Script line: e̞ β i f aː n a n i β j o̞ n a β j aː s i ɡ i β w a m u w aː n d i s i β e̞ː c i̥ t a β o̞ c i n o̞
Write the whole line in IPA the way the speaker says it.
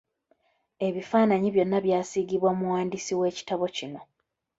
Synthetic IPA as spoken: e̞ β i f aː n a ɲ i β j o̞ nː a β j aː s i ɡ i β w a m u w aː n d i s i w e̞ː c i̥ t a β o̞ c i n o̞

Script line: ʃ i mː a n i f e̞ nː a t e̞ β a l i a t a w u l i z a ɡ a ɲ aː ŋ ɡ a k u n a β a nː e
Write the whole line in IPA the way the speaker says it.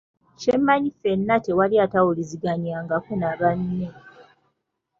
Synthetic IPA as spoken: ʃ e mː a ɲ i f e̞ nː a t e̞ w a l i a t a w u l i z i ɡ a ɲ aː ŋ ɡ a k u n a β a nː e

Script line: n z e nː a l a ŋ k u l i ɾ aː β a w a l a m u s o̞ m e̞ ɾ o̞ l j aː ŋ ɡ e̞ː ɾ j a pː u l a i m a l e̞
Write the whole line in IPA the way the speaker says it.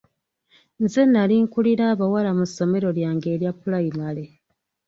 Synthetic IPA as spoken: n z e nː a l i ŋ k u l i ɾ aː β a w a l a m u s o̞ m e̞ ɾ o̞ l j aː ŋ ɡ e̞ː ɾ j a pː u l a i m a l e̞

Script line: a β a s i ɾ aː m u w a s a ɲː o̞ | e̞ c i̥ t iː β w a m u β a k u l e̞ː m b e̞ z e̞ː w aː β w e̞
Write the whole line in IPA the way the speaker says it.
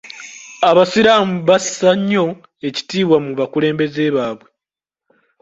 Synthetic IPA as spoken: a β a s i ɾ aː m u β a s a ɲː o̞ | e̞ c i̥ t iː β w a m u β a k u l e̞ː m b e̞ z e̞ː β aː β w e̞

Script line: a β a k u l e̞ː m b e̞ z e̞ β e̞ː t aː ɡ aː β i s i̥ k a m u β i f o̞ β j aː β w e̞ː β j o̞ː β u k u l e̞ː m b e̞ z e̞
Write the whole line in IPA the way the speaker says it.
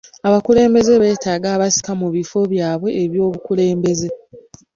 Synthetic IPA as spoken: a β a k u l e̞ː m b e̞ z e̞ β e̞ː t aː ɡ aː β a s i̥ k a m u β i f o̞ β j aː β w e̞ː β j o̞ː β u k u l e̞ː m b e̞ z e̞

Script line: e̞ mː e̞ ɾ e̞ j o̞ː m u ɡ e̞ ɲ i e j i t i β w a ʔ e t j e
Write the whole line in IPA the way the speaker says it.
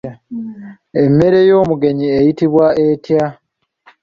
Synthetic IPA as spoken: e̞ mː e̞ ɾ e̞ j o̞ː m u ɡ e̞ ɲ i e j i t i β w a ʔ e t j a

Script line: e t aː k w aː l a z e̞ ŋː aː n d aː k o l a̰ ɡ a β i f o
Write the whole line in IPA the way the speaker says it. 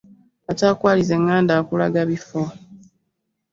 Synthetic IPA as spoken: a t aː k w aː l i z e̞ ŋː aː n d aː k u l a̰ ɡ a β i f o

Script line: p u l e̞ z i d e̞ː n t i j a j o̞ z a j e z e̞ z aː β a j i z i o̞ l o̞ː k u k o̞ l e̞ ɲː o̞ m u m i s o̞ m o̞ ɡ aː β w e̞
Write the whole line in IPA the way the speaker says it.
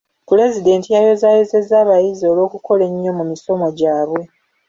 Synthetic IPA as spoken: p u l e̞ z i d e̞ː n t i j a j o̞ z a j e z e̞ z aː β a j i z i o̞ l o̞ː k u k o̞ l e̞ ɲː o̞ m u m i s o̞ m o̞ ɟ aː β w e̞

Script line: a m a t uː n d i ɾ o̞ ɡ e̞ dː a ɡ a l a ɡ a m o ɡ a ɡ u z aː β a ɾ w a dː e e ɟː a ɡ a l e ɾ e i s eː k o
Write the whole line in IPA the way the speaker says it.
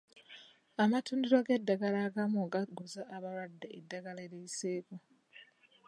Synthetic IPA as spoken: a m a t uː n d i ɾ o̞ ɡ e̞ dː a ɡ a l a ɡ a m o ɡ a ɡ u z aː β a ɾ w a dː e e dː a ɡ a l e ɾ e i s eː k o

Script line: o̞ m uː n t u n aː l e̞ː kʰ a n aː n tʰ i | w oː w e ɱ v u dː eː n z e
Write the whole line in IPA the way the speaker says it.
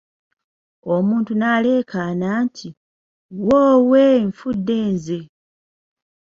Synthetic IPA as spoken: o̞ m uː n t u n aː l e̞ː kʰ a n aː n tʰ i | w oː w e ɱ f u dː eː n z e

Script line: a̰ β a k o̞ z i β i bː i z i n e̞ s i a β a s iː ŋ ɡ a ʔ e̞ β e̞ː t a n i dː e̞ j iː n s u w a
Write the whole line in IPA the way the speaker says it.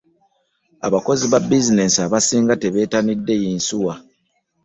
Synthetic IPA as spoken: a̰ β a k o̞ z i β a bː i z i n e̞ s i a β a s iː ŋ ɡ a t e̞ β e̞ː t a n i dː e̞ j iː n s u w a

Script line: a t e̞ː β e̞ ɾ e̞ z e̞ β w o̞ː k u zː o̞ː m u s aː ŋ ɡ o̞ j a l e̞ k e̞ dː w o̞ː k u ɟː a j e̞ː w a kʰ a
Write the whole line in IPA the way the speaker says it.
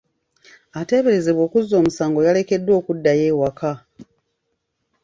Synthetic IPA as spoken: a t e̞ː β e̞ ɾ e̞ z e̞ β w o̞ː k u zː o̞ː m u s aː ŋ ɡ o̞ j a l e̞ k e̞ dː w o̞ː k u dː a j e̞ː w a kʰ a

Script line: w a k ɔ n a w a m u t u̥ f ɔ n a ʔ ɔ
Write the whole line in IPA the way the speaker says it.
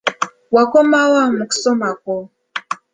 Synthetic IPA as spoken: w a k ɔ m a w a m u k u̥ s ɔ m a k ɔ

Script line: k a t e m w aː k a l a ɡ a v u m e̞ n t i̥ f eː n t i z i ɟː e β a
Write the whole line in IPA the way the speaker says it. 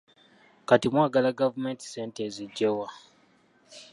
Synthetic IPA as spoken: k a t i m w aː ɡ a l a ɡ a v u m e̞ n t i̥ s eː n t e z i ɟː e w a

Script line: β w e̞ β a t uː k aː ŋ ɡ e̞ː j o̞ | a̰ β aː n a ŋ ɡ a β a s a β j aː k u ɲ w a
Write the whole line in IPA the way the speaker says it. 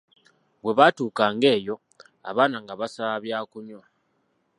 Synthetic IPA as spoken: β w e̞ β a t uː k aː ŋ ɡ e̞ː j o̞ | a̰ β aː n a ŋ ɡ a β a s a β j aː k u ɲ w a

